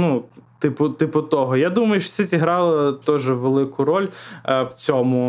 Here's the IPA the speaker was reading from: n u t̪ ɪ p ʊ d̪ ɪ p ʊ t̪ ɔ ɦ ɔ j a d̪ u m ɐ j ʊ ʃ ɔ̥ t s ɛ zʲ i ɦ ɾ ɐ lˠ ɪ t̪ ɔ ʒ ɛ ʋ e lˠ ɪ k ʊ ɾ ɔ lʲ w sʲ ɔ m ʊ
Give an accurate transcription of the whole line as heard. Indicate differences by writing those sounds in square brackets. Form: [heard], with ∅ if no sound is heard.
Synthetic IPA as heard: n u t̪ ɪ p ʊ [t̪] ɪ p ʊ t̪ ɔ ɦ ɔ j a d̪ u m ɐ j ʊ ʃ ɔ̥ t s ɛ zʲ i ɦ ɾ [ɑ] lˠ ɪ t̪ ɔ ʒ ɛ ʋ e lˠ ɪ k ʊ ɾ ɔ lʲ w [t͡sʲ] ɔ m ʊ